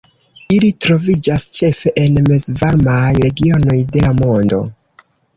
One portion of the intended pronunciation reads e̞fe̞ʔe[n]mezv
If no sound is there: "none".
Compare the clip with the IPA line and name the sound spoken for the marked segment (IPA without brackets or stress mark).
n